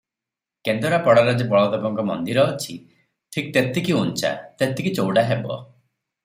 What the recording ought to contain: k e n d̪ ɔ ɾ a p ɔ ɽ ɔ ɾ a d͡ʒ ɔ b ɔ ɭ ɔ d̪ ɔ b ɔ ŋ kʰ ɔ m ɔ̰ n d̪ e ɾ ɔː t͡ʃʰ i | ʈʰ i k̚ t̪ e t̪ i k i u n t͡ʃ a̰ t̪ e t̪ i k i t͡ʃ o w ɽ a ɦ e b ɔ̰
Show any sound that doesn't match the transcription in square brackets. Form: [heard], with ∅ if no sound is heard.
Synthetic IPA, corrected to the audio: k e n d̪ ɔ ɾ a p ɔ ɽ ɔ ɾ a d͡ʒ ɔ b ɔ ɭ ɔ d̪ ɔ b ɔ ŋ [k] ɔ m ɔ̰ n d̪ [i] ɾ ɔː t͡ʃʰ i | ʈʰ i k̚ t̪ e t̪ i k i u n t͡ʃ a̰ t̪ e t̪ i k i t͡ʃ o w ɽ a ɦ e b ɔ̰